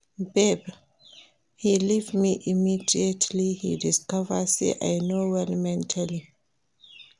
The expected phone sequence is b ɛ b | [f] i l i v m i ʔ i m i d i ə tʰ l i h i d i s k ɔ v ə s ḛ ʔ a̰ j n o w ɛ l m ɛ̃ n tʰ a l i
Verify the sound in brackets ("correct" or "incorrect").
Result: incorrect